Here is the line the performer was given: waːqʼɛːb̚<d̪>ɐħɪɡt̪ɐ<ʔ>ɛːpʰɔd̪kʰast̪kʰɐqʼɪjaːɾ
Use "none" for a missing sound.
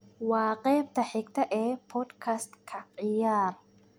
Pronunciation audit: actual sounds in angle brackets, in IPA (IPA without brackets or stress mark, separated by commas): t̪, ʔ